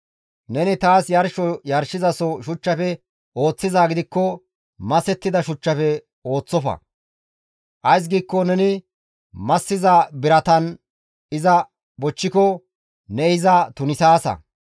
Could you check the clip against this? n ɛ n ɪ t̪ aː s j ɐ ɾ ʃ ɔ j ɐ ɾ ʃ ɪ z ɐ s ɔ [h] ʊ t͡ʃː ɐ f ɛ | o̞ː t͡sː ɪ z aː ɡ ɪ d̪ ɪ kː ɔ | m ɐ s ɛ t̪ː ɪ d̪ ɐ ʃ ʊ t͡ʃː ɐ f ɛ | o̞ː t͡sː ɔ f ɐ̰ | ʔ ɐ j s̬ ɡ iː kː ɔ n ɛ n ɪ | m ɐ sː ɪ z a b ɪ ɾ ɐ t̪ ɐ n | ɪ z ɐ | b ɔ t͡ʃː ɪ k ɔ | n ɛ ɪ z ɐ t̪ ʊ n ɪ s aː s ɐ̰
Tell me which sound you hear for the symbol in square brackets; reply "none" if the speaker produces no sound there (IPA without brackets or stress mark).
ʃ